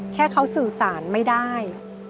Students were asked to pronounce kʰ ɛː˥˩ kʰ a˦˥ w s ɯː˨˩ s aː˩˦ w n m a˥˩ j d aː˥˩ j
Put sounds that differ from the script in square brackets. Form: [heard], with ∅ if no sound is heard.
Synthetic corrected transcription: kʰ ɛː˥˩ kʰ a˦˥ w s ɯː˨˩ s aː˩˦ [∅] n m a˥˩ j d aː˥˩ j